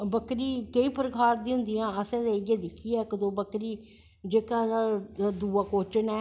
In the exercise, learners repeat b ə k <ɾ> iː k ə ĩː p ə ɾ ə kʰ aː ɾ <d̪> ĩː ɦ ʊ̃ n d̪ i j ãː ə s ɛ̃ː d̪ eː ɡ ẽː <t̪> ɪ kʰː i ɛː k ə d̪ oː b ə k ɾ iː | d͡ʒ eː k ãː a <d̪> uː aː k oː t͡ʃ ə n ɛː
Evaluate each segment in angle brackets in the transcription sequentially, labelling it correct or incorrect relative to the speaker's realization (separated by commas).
correct, correct, incorrect, correct